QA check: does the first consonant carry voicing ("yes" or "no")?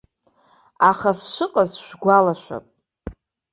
no